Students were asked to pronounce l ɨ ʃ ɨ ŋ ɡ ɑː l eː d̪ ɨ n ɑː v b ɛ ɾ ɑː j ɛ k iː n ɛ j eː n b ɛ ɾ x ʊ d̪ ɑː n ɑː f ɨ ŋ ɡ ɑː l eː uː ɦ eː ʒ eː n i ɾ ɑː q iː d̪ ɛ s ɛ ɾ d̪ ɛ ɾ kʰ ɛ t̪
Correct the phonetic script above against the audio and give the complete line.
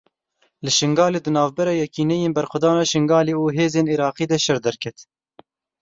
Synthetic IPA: l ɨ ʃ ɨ ŋ ɡ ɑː l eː d̪ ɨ n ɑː v b ɛ ɾ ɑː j ɛ k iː n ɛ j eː n b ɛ ɾ x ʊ d̪ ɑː n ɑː ʃ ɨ ŋ ɡ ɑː l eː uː ɦ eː z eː n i ɾ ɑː q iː d̪ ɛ ʃ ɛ ɾ d̪ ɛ ɾ kʰ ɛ t̪